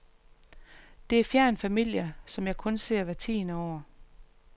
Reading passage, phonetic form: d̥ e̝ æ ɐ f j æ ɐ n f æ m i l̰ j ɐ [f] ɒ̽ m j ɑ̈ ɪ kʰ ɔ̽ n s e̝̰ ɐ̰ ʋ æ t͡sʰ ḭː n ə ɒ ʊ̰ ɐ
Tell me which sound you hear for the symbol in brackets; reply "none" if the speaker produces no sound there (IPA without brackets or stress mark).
s